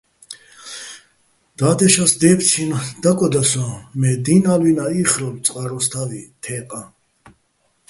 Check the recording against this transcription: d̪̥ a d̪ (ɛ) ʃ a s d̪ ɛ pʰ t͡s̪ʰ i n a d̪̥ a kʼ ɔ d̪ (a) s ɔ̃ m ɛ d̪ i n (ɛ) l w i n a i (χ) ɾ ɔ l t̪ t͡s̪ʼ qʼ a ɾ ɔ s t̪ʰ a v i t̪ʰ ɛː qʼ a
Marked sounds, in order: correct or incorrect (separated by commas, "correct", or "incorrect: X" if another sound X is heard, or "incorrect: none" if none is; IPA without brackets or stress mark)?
correct, correct, incorrect: a, correct